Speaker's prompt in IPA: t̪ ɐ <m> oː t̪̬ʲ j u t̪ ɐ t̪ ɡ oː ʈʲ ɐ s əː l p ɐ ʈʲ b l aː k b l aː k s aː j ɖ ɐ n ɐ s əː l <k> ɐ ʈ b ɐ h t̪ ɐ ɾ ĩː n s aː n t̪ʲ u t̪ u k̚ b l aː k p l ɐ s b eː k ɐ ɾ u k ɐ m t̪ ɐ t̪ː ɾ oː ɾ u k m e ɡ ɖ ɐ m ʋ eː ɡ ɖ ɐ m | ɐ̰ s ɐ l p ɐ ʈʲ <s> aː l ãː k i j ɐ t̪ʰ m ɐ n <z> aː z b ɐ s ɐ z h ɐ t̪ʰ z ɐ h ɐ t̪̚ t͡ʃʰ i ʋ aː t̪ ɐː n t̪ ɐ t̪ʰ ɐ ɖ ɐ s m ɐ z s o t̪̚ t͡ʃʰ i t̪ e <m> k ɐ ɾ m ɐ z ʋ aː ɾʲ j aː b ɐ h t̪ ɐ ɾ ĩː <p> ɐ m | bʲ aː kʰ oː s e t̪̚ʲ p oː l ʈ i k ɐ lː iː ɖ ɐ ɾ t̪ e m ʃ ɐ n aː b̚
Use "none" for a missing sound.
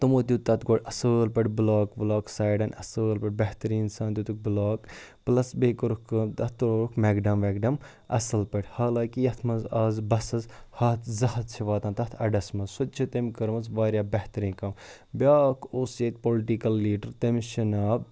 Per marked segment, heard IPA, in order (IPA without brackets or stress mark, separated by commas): m, p, h, z, m, k